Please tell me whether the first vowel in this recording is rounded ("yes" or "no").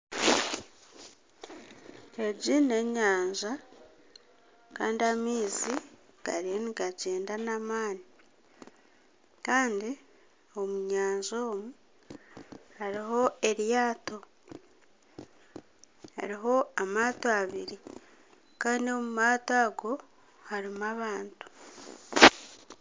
no